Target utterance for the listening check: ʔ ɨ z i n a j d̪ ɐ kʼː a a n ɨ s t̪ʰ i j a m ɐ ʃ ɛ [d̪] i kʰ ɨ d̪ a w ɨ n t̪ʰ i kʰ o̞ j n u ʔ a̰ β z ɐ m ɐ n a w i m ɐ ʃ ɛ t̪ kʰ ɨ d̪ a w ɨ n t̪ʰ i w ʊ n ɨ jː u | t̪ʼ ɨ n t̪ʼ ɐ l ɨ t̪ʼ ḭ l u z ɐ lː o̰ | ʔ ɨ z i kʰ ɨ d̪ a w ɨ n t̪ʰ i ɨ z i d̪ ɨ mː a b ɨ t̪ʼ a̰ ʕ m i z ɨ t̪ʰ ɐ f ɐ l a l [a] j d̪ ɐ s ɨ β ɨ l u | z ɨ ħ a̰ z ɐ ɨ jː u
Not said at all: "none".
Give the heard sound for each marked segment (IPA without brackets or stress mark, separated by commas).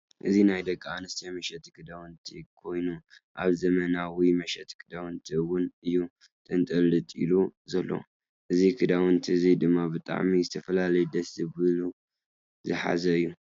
t̪, ɐ